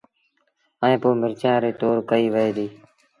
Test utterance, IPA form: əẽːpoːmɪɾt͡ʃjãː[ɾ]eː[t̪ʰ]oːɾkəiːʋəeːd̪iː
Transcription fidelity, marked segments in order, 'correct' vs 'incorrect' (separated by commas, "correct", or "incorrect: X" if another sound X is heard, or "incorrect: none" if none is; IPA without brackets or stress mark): correct, incorrect: t̪